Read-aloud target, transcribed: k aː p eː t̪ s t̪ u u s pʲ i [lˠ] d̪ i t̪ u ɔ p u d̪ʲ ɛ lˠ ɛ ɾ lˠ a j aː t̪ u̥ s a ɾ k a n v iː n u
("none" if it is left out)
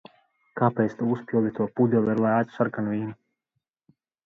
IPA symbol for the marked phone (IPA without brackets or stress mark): lˠ